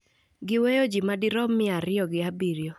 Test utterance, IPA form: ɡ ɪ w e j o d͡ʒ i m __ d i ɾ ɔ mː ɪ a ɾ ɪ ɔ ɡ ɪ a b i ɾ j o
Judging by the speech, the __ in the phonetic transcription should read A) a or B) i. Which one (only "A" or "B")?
A